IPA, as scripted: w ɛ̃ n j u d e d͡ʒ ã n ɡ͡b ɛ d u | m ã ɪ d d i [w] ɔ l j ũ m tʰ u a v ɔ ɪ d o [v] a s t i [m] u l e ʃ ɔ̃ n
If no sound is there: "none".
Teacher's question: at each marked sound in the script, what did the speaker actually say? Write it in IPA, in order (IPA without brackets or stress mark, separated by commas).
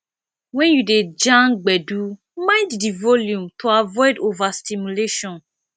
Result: v, v, m